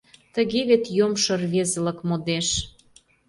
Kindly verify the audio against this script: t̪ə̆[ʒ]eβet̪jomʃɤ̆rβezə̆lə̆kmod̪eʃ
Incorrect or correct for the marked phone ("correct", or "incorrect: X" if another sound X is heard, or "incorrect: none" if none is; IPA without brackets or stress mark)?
incorrect: ɣ